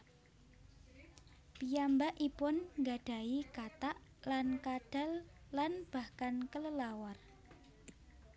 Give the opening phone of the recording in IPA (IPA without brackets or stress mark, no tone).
p